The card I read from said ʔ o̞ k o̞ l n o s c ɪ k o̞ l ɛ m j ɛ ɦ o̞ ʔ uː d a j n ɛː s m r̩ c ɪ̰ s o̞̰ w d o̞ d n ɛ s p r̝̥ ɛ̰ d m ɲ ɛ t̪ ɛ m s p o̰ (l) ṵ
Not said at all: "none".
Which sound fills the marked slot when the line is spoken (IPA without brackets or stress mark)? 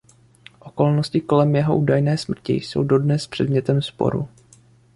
ɾ